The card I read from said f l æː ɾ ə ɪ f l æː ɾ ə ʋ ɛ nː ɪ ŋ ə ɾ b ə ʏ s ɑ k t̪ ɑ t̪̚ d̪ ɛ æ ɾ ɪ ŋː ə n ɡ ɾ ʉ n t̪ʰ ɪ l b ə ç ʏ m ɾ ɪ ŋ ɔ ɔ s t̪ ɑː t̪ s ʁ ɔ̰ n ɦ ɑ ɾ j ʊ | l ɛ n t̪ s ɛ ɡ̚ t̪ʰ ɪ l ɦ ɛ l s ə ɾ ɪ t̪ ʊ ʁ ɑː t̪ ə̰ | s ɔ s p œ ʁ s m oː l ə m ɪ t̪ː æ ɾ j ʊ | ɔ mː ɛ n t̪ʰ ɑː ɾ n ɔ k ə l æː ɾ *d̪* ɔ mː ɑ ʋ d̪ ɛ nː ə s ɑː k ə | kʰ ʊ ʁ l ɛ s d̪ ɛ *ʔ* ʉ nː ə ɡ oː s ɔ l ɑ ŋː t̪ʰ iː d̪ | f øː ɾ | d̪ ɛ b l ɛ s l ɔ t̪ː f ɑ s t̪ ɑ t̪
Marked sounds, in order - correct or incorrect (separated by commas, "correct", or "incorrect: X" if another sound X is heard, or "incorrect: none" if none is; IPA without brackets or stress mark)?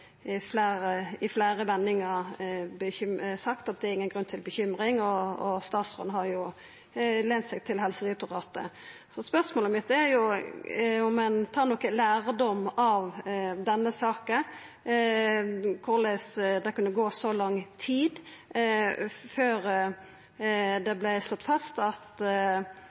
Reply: correct, incorrect: k